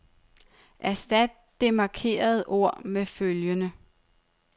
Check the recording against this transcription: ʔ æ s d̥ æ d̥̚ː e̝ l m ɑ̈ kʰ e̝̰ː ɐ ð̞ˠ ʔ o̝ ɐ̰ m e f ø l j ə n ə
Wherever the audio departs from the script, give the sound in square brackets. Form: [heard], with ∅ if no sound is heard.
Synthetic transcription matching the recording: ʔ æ s d̥ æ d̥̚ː e̝ [∅] m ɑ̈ kʰ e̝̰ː ɐ ð̞ˠ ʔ o̝ ɐ̰ m e f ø l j ə n ə

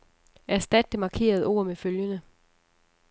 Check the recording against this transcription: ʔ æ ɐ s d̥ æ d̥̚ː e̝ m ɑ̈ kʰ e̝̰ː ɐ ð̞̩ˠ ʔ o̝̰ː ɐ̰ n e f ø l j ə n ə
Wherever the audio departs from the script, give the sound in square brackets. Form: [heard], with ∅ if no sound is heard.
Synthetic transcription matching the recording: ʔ æ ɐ s d̥ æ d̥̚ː e̝ m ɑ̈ kʰ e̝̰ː ɐ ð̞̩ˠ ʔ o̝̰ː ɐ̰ [m] e f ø l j ə n ə

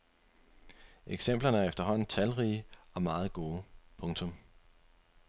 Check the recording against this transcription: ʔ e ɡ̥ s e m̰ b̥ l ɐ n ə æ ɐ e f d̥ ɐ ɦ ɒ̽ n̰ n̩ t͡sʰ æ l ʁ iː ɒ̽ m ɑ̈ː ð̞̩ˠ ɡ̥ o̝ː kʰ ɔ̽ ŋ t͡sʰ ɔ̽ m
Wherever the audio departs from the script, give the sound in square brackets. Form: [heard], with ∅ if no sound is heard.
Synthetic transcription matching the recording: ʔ e ɡ̥ s e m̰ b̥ l ɐ n ə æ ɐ e f d̥ ɐ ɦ ɒ̽ n̰ n̩ t͡sʰ æ l ʁ iː ɒ̽ m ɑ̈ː ð̞̩ˠ ɡ̥ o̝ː [pʰ] ɔ̽ ŋ t͡sʰ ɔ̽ m

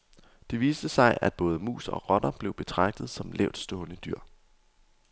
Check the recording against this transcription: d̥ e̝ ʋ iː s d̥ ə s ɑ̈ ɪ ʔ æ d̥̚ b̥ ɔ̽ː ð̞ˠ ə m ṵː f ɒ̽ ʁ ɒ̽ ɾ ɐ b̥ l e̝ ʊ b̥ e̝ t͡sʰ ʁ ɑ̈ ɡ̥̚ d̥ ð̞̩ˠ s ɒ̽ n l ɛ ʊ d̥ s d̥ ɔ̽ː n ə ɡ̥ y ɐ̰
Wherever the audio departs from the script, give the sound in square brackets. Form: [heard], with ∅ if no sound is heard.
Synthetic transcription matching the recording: d̥ e̝ ʋ iː s d̥ ə s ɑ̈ ɪ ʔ æ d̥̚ b̥ ɔ̽ː ð̞ˠ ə m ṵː [s] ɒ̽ ʁ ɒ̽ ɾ ɐ b̥ l e̝ ʊ b̥ e̝ t͡sʰ ʁ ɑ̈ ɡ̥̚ d̥ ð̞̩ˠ s ɒ̽ [m] l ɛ ʊ d̥ s d̥ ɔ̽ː n ə [d̥] y ɐ̰

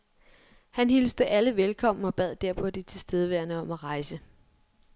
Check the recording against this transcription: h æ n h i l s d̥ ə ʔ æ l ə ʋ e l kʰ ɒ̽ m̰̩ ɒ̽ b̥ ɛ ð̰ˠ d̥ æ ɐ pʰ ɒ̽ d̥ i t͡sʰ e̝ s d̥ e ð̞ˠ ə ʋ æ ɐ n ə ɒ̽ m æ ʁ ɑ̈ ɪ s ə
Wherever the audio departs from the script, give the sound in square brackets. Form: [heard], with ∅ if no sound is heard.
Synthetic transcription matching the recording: h æ n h i l s d̥ ə ʔ æ l ə ʋ e l kʰ ɒ̽ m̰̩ ɒ̽ b̥ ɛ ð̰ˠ d̥ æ ɐ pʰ ɒ̽ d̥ i t͡sʰ e̝ s d̥ e ð̞ˠ ə ʋ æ ɐ n ə ɒ̽ m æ ʁ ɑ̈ ɪ s ə

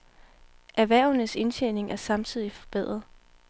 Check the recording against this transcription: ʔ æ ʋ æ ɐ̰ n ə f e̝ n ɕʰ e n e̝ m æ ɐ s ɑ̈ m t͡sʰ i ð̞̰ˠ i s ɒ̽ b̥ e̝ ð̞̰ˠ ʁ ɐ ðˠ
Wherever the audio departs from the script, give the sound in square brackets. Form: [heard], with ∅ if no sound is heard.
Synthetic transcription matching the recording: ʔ æ ʋ æ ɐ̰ n ə [s] e̝ n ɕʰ e n e̝ [ŋ] æ ɐ s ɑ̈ m t͡sʰ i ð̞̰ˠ i [f] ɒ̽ b̥ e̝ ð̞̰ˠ ʁ ɐ ðˠ

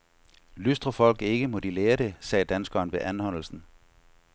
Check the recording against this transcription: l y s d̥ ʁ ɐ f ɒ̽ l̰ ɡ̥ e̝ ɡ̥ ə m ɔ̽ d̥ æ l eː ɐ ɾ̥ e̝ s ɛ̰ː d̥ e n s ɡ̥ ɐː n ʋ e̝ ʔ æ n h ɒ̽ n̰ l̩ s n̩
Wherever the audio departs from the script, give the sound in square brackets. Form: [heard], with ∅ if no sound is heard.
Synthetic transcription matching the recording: l y s d̥ ʁ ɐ f ɒ̽ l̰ ɡ̥ e̝ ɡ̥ ə m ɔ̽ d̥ [i] l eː ɐ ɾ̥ e̝ s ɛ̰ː d̥ [æ] n s ɡ̥ ɐː n ʋ e̝ ʔ æ n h ɒ̽ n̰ l̩ s n̩

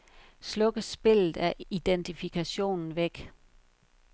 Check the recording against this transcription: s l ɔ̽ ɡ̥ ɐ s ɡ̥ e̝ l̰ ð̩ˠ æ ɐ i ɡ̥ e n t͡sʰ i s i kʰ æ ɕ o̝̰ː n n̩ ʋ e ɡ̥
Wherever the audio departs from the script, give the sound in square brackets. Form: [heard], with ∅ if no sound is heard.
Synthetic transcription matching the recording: s l ɔ̽ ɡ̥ [ə] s [b̥] e̝ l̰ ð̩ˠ æ ɐ i [d̥] e n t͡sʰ i [f] i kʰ æ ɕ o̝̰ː n n̩ ʋ e ɡ̥

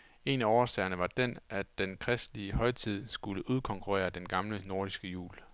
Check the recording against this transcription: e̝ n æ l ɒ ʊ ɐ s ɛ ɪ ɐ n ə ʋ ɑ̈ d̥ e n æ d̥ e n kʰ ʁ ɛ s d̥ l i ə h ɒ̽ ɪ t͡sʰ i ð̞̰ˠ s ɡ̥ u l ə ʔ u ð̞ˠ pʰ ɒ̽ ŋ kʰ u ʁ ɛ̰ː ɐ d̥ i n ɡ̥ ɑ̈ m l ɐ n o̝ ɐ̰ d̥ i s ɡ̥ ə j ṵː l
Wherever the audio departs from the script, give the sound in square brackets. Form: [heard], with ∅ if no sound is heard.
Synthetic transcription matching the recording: e̝ n æ [∅] ɒ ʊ ɐ s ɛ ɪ ɐ n ə ʋ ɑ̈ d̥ e n æ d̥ e n kʰ ʁ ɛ s d̥ l i ə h ɒ̽ ɪ t͡sʰ i ð̞̰ˠ s ɡ̥ u l ə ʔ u ð̞ˠ [kʰ] ɒ̽ ŋ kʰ u ʁ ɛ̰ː ɐ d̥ [e] n ɡ̥ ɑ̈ m l [ə] n o̝ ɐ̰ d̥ i s ɡ̥ ə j ṵː l

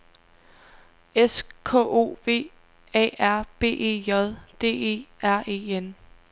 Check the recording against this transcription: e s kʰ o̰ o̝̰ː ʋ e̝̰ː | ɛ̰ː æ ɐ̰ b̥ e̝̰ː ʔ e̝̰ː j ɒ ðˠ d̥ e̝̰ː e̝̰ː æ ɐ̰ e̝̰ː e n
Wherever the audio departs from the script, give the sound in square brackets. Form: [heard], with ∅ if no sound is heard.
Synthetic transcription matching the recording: e s kʰ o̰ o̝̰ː ʋ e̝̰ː | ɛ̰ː æ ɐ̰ b̥ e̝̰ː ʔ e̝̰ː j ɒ ðˠ d̥ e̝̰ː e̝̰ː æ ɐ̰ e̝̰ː e n

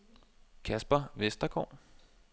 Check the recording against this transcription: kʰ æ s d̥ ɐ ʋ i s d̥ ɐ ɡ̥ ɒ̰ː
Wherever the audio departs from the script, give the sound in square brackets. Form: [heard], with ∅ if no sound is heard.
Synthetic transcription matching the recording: kʰ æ s [b̥] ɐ ʋ [e] s d̥ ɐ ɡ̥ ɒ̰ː

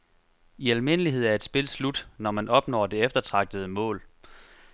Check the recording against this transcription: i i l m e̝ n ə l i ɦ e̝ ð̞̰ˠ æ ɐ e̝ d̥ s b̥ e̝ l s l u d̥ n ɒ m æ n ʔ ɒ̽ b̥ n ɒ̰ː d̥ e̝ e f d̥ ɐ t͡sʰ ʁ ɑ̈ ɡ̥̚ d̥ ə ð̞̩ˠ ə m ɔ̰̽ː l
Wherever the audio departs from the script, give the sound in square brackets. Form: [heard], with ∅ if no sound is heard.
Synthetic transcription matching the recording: i [æ] l m e̝ n ə l i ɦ e̝ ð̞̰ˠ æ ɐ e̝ d̥ s b̥ e̝ l s l u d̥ n ɒ m æ n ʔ ɒ̽ b̥ n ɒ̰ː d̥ e̝ e f d̥ ɐ t͡sʰ ʁ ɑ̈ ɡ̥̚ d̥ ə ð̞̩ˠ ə m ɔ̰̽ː l

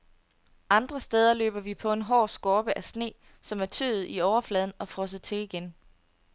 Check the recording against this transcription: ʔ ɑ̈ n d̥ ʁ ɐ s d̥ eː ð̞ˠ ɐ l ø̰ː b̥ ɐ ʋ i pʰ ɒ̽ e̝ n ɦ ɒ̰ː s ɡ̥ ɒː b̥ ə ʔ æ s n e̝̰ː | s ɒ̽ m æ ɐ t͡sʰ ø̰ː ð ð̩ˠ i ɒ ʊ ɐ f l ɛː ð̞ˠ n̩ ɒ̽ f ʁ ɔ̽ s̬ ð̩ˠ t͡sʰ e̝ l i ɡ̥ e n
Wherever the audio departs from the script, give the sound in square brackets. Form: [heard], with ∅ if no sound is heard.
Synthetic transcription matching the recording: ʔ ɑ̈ n d̥ ʁ ɐ s d̥ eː ð̞ˠ ɐ l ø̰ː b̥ ɐ ʋ i pʰ ɒ̽ e̝ n ɦ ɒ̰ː s ɡ̥ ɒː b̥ ə ʔ æ s n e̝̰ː | s ɒ̽ m æ ɐ t͡sʰ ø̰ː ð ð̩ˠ i ɒ ʊ ɐ f l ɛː ð̞ˠ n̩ ɒ̽ f ʁ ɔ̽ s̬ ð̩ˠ t͡sʰ e̝ l i ɡ̥ e n

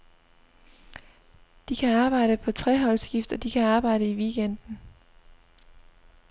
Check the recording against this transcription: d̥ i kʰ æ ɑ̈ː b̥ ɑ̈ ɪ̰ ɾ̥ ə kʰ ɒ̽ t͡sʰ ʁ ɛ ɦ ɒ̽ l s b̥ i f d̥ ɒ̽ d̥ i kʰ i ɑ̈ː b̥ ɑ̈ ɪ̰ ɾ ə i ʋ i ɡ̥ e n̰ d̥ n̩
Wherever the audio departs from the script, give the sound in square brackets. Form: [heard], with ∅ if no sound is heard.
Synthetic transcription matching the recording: d̥ i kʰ æ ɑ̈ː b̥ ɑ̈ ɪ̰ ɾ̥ ə [pʰ] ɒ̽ t͡sʰ ʁ ɛ ɦ ɒ̽ l s [ɡ̥] i f d̥ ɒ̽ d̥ i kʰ [æ] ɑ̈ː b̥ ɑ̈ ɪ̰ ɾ ə i ʋ i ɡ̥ e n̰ d̥ n̩

